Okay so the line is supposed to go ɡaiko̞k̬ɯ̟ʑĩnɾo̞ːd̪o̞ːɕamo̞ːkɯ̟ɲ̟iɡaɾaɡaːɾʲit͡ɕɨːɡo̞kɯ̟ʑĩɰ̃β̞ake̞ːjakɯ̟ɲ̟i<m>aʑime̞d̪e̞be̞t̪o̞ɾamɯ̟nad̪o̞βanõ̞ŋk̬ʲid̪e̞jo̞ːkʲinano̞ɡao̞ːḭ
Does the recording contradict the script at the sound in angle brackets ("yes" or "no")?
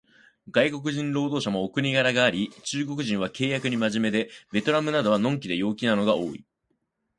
no